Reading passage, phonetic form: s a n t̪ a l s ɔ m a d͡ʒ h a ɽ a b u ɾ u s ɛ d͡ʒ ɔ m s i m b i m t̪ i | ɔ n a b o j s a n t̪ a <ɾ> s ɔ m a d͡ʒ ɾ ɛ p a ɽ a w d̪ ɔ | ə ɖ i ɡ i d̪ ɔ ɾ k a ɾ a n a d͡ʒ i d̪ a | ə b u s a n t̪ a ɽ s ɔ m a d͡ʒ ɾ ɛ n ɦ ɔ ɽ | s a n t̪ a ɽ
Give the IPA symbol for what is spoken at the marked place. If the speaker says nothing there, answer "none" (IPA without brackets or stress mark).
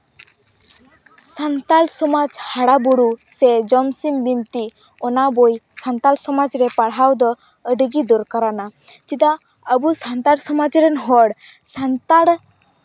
l